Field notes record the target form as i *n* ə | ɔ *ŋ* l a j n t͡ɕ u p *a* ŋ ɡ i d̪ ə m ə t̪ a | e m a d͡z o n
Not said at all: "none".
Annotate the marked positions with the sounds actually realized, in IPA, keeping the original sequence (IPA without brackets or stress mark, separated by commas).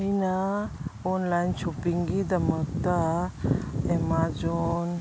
n, n, i